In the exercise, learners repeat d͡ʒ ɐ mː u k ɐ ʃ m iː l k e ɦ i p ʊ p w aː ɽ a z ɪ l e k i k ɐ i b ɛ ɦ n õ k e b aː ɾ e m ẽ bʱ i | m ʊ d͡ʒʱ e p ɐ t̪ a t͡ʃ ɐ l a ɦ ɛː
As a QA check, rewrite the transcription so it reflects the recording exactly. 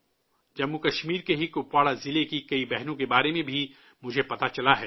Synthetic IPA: d͡ʒ ɐ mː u k ɐ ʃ m iː ɾ k e ɦ i k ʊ p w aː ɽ a z ɪ l e k i k ɐ i b ɛ ɦ n õ k e b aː ɾ e m ẽ bʱ i | m ʊ d͡ʒʱ e p ɐ t̪ a t͡ʃ ɐ l a ɦ ɛː